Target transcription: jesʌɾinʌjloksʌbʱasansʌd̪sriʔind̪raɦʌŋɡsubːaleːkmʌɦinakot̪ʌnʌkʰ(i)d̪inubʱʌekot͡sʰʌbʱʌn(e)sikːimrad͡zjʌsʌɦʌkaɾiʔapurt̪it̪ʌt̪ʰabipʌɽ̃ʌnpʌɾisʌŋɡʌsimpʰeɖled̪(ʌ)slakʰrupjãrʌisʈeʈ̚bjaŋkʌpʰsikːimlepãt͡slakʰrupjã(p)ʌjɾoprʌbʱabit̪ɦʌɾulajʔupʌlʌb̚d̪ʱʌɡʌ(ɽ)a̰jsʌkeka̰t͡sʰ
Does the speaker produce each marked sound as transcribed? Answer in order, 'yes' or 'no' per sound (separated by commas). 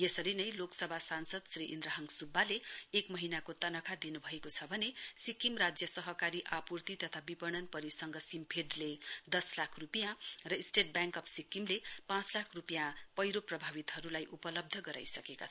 no, yes, yes, yes, no